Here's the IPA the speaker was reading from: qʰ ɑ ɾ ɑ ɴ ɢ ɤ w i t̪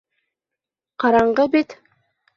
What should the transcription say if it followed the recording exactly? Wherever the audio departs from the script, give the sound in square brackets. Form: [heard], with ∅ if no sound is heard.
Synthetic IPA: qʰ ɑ ɾ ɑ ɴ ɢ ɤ [b] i t̪